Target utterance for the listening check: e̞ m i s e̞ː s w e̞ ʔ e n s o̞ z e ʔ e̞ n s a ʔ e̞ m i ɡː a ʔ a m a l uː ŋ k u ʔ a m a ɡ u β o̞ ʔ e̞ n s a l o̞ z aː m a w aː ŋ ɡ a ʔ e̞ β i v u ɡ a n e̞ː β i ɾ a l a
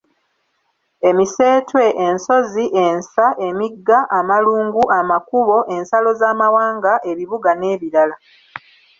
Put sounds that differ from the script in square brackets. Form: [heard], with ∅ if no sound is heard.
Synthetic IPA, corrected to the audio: e̞ m i s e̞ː [t] w e̞ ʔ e n s o̞ z [i] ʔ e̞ n s a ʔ e̞ m i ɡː a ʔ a m a l uː ŋ [ɡ] u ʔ a m a [k] u β o̞ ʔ e̞ n s a l o̞ z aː m a w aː ŋ ɡ a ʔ e̞ β i [β] u ɡ a n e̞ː β i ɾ a l a